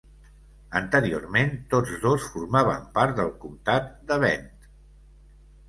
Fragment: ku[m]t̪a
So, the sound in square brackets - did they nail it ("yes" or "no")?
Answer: yes